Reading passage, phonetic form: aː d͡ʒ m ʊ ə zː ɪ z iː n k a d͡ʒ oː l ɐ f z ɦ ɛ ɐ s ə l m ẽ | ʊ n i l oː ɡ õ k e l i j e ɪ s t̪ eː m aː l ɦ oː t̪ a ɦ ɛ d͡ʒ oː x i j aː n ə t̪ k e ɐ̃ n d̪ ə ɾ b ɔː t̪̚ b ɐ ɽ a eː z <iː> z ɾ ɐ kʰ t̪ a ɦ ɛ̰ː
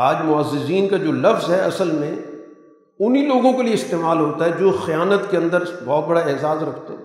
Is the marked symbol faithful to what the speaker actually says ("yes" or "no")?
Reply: no